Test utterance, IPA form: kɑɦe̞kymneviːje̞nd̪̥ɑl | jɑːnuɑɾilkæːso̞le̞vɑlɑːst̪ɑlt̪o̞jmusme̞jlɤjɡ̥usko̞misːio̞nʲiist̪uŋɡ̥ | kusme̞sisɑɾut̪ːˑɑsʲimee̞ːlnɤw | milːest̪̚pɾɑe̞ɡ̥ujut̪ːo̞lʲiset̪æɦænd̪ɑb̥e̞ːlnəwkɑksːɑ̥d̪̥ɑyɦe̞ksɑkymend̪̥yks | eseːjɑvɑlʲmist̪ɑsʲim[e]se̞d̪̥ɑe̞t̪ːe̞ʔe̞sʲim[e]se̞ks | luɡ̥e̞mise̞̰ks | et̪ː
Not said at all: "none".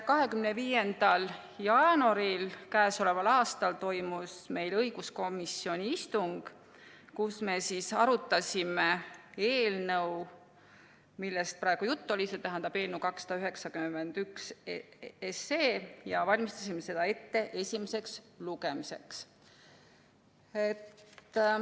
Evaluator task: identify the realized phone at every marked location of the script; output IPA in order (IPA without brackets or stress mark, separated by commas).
e, e